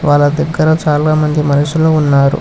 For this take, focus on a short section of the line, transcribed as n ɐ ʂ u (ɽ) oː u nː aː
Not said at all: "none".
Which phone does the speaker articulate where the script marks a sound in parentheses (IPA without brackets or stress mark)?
l